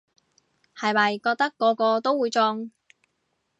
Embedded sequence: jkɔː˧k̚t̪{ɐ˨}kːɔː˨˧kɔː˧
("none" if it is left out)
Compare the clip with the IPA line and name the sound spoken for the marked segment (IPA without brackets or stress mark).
ɐ˥